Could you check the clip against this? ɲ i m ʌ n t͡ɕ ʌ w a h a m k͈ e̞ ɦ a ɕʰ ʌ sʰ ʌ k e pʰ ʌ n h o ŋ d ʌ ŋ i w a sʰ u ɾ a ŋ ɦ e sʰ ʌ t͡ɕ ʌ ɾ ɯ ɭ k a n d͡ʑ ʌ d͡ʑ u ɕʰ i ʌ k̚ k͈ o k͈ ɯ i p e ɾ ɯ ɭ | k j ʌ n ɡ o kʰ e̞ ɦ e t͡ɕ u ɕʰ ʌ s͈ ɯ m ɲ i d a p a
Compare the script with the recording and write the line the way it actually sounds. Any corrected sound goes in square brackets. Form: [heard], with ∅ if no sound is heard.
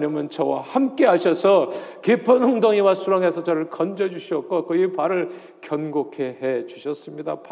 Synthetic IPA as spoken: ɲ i m ʌ n t͡ɕ ʌ w a h a m k͈ e̞ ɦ a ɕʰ ʌ sʰ ʌ k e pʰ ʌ n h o ŋ d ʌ ŋ i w a sʰ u ɾ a ŋ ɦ e sʰ ʌ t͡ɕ ʌ ɾ ɯ ɭ k [ʌ] n d͡ʑ ʌ d͡ʑ u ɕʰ i ʌ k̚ k͈ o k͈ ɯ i p [a] ɾ ɯ ɭ | k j ʌ n ɡ o kʰ e̞ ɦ e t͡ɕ u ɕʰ ʌ s͈ ɯ m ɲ i d a p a